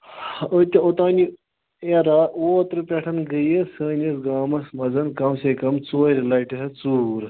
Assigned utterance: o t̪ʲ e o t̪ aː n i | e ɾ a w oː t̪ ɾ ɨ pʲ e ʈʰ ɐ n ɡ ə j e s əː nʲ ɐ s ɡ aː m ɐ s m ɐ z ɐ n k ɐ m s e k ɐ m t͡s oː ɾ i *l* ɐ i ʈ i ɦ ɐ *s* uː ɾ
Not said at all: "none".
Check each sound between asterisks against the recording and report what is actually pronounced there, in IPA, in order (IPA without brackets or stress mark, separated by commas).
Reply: l, t͡s